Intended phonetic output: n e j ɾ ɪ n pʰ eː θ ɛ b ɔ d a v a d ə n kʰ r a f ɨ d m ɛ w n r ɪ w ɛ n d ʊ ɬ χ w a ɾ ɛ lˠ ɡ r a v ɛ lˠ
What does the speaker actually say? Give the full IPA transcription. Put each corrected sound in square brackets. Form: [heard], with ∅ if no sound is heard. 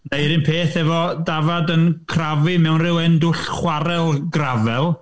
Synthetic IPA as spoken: n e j ɾ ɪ n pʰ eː θ ɛ [v] ɔ d a v a d ə n kʰ r a [v] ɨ [∅] m ɛ w n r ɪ w ɛ n d ʊ ɬ χ w a ɾ ɛ lˠ ɡ r a v ɛ lˠ